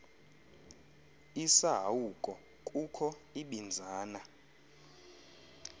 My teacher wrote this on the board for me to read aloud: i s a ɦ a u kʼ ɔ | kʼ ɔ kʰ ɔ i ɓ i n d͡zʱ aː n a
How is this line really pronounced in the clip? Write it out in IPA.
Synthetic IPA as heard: i s a ɦ a u kʼ ɔ | kʼ u kʰ ɔ i ɓ i n d͡zʱ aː n a